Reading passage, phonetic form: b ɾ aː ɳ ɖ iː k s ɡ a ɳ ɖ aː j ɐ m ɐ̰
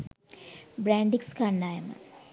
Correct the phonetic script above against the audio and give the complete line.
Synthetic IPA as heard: b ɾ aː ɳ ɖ i k s k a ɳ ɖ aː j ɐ m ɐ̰